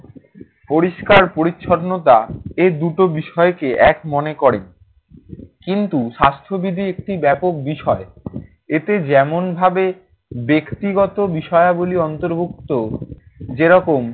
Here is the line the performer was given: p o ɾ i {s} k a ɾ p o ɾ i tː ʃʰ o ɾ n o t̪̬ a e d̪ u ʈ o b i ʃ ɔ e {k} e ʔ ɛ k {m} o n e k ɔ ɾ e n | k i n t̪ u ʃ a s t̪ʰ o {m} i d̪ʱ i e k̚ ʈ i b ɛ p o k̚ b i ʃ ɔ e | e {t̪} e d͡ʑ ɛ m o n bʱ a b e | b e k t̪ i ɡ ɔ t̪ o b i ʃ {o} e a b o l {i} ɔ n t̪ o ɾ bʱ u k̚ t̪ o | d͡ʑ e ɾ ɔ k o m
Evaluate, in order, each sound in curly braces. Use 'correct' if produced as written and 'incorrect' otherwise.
incorrect, correct, correct, incorrect, correct, incorrect, correct

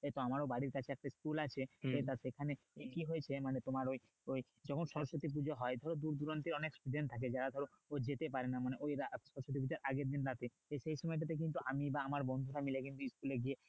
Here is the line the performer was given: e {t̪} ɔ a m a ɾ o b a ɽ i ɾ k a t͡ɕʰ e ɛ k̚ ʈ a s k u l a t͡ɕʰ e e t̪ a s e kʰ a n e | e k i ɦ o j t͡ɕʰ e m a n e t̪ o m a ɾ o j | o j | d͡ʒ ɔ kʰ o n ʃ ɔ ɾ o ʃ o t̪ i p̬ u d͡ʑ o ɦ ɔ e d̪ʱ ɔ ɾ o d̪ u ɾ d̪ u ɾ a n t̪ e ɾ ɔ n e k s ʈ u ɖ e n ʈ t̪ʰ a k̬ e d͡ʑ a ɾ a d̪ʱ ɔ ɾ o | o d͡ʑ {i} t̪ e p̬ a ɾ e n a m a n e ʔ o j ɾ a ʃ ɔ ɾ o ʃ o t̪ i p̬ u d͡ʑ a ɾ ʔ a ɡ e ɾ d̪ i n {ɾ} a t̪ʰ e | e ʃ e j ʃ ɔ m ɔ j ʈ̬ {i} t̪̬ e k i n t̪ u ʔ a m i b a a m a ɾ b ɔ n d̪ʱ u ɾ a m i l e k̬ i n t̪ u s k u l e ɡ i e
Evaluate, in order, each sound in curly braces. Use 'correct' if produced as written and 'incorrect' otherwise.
correct, incorrect, correct, incorrect

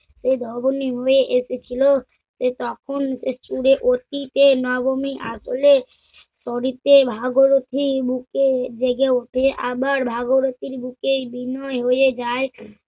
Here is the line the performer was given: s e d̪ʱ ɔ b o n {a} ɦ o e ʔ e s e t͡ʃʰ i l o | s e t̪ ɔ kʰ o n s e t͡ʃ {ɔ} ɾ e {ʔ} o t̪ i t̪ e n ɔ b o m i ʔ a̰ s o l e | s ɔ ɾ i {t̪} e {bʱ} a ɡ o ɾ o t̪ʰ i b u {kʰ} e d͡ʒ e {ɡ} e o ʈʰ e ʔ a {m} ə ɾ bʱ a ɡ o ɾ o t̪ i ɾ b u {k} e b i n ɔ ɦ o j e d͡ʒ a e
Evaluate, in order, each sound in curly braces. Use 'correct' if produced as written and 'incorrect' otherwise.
incorrect, incorrect, correct, correct, correct, incorrect, correct, incorrect, correct

